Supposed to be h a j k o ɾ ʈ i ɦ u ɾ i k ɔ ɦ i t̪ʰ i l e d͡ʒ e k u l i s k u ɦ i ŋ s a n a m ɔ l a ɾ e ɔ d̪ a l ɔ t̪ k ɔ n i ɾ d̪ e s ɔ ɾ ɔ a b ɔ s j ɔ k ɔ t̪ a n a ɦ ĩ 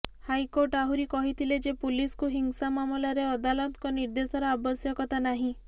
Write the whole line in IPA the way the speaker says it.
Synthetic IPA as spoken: h a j k o ɾ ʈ a ɦ u ɾ i k ɔ ɦ i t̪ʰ i l e d͡ʒ e p u l i s k u ɦ i ŋ s a m a m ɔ l a ɾ e ɔ d̪ a l ɔ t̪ k ɔ n i ɾ d̪ e s ɔ ɾ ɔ a b ɔ s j ɔ k ɔ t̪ a n a ɦ ĩ